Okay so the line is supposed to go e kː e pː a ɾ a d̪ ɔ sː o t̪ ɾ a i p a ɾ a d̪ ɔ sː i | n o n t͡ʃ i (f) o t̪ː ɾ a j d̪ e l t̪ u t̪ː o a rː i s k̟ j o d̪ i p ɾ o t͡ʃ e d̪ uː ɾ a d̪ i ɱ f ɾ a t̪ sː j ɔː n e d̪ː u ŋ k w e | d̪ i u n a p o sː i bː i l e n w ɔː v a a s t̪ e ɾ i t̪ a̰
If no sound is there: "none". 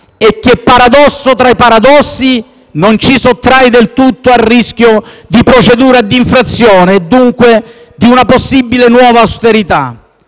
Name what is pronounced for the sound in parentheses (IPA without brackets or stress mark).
s